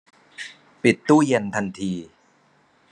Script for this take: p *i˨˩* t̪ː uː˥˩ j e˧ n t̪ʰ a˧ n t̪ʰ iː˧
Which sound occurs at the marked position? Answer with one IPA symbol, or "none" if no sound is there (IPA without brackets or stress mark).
i˨˩